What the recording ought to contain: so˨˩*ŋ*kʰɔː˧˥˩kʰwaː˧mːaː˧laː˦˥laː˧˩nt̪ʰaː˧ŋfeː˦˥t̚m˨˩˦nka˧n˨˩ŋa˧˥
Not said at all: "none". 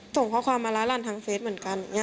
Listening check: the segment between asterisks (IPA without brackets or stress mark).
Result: ŋ